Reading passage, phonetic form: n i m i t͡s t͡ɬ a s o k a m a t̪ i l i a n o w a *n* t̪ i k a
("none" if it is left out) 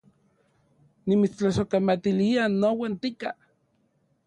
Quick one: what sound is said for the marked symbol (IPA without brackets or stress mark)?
n